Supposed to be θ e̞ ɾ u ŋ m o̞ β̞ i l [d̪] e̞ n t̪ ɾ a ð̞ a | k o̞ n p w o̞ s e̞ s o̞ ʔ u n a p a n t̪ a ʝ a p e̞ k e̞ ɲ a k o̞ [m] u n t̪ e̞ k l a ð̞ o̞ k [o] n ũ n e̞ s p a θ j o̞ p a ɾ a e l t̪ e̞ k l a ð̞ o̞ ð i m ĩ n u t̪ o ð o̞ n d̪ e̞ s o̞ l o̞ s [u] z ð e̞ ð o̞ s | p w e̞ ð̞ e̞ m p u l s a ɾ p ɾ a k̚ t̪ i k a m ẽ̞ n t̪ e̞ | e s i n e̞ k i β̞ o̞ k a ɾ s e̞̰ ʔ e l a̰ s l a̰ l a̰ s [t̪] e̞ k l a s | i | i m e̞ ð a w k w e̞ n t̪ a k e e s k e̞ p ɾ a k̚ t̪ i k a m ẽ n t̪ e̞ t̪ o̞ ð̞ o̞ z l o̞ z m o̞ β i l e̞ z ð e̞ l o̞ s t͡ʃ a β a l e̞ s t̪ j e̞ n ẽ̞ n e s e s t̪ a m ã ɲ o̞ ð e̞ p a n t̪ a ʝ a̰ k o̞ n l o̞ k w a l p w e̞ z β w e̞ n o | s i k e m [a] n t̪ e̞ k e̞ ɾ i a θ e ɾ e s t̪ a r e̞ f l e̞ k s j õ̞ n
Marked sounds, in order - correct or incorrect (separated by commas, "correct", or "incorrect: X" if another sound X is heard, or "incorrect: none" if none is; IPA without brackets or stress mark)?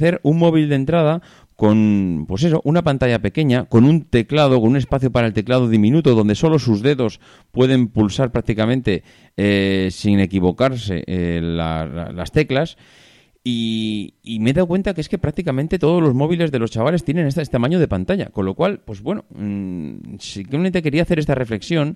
correct, incorrect: n, correct, correct, correct, incorrect: e